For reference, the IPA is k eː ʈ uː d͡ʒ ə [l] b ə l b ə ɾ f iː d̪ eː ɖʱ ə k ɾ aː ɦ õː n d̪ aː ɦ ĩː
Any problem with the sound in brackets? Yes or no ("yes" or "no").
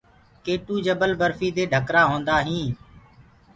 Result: yes